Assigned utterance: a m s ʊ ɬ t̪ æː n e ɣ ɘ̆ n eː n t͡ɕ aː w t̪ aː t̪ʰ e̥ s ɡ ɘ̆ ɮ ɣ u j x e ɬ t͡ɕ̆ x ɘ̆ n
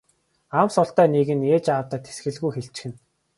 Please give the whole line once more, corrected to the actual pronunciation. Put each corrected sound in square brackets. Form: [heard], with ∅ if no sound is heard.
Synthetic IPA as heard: a m s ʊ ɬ t̪ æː n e ɣ ɘ̆ n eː [∅] t͡ɕ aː w t̪ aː t̪ʰ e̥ s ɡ ɘ̆ ɮ ɣ u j x e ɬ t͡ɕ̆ x ɘ̆ n